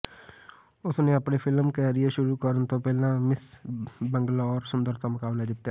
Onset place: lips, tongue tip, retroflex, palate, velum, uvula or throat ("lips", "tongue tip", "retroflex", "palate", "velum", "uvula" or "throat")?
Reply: tongue tip